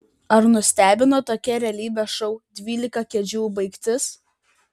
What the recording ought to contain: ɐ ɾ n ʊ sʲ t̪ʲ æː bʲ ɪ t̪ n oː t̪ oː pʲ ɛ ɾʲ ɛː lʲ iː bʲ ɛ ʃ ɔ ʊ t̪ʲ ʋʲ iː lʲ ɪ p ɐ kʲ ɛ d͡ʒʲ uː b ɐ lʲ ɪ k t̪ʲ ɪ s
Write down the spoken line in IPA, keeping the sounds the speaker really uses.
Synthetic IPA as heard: ɐ ɾ n ʊ sʲ t̪ʲ æː bʲ ɪ n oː t̪ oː kʲ ɛ ɾʲ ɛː lʲ iː bʲ ɛ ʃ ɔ ʊ d̪ʲ ʋʲ iː lʲ ɪ k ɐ kʲ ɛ d͡ʒʲ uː b ɐ ɪ k t̪ʲ ɪ s